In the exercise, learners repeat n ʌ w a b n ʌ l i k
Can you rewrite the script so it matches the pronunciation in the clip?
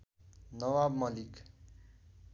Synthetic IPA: n ʌ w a b m ʌ l i k